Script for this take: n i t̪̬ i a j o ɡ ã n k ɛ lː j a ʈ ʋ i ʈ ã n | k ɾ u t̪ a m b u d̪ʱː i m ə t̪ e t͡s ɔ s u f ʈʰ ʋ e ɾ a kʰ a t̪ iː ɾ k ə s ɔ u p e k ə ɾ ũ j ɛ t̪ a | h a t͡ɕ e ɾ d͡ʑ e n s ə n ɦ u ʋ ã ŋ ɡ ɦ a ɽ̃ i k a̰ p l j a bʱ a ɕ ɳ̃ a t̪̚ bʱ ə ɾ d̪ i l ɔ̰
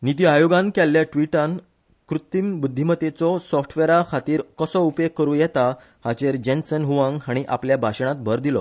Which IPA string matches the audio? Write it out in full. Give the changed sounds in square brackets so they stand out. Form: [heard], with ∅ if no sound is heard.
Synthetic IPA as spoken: n i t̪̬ i a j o ɡ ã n k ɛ lː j a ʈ ʋ i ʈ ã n | k ɾ u t̪ [i] m b u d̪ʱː i m ə t̪ e t͡s ɔ s [ɔ] f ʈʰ ʋ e ɾ a kʰ a t̪ iː ɾ k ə s ɔ u p e k ə ɾ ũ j ɛ t̪ a | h a t͡ɕ e ɾ d͡ʑ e n s ə n ɦ u ʋ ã ŋ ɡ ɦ a ɽ̃ i [ʔ] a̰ p l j a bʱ a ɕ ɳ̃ a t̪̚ bʱ ə ɾ d̪ i l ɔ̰